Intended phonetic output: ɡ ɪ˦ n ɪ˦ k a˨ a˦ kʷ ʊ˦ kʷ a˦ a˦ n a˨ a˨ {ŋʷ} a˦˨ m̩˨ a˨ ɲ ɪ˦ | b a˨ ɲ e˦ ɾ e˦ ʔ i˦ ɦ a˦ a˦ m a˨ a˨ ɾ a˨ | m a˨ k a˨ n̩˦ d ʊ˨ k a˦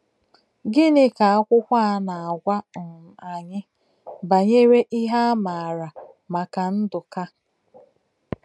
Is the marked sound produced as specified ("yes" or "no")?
no